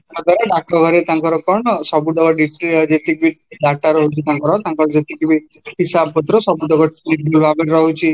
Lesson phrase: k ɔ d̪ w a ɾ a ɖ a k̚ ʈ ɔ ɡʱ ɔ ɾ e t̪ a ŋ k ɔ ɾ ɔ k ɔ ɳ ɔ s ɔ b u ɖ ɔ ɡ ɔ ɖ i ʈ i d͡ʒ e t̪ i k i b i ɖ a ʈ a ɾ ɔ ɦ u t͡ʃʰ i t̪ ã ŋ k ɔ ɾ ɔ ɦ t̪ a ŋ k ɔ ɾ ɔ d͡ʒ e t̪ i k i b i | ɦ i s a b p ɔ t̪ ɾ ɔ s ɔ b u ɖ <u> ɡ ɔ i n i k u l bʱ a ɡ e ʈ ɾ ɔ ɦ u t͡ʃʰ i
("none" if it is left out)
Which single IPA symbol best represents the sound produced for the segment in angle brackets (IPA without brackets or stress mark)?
ɔ